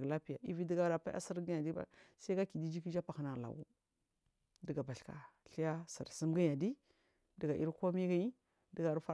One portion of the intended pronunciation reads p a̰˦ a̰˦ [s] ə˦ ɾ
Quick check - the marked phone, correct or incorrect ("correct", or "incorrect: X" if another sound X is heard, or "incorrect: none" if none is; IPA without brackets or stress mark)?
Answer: correct